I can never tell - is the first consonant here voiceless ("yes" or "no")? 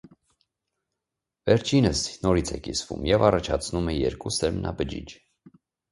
no